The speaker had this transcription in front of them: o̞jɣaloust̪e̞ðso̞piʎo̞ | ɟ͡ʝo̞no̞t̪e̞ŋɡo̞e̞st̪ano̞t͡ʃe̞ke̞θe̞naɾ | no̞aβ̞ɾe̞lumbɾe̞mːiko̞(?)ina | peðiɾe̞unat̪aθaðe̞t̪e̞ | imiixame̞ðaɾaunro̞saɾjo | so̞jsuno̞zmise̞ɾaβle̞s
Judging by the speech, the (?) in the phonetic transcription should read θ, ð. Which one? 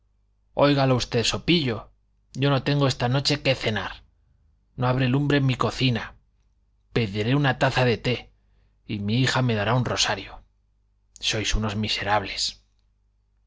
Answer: θ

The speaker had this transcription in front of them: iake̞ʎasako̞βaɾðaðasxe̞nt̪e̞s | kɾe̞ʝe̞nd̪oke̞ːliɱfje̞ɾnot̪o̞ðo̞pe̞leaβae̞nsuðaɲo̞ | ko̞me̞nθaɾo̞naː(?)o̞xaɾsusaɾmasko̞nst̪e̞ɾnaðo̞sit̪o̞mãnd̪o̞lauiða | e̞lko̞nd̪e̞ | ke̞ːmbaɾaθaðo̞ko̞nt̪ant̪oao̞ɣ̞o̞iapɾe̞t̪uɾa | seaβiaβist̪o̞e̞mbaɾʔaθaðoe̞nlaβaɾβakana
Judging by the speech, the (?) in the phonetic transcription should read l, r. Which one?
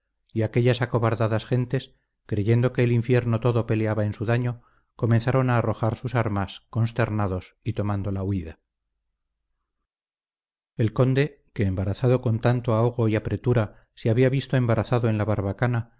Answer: r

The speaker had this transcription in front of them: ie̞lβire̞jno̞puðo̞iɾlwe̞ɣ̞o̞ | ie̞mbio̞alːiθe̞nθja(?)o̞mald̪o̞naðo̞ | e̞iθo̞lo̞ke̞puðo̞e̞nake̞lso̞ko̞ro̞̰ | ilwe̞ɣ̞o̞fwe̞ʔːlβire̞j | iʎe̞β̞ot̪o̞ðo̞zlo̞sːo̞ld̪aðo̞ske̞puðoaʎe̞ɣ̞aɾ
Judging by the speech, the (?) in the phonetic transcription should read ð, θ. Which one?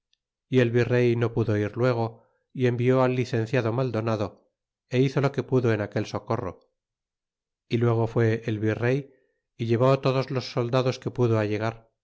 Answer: ð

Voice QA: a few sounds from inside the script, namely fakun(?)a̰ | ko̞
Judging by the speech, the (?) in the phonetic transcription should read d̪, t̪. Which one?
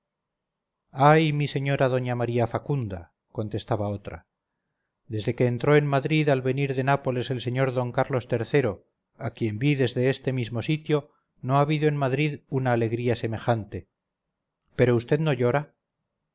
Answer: d̪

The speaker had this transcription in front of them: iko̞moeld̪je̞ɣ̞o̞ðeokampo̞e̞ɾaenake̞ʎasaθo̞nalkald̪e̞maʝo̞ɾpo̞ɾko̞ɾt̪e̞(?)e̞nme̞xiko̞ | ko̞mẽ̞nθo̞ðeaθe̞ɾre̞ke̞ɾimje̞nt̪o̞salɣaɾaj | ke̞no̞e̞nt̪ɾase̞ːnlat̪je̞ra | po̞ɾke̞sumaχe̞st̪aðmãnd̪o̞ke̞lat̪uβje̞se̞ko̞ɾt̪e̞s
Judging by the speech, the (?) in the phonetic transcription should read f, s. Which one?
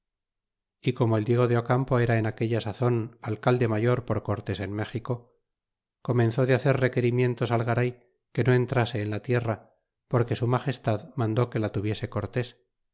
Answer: s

